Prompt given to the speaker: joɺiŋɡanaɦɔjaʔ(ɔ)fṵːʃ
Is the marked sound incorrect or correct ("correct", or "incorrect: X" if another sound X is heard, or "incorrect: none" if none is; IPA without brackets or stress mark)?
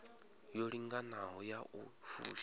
incorrect: u